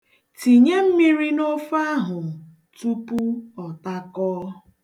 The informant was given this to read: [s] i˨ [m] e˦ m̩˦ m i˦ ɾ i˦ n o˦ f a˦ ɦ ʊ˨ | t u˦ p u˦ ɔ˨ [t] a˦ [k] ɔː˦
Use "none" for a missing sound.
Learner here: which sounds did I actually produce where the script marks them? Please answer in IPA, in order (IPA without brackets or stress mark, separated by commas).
t, ɲ, t, k